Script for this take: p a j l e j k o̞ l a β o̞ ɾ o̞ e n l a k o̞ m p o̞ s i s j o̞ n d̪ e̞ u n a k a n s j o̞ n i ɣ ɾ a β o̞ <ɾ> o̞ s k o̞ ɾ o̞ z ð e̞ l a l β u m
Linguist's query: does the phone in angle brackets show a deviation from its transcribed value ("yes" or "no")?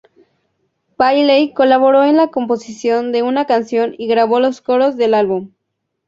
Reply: yes